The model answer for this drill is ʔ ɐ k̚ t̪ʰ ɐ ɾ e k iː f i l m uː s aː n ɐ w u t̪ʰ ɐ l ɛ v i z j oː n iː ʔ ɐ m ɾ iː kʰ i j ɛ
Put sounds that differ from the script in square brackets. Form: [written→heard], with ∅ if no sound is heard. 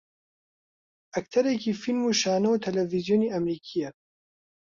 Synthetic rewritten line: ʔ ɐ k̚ t̪ʰ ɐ ɾ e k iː f i l m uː [s→ʃ] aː n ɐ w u t̪ʰ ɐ l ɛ v i z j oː n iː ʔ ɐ m ɾ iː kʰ i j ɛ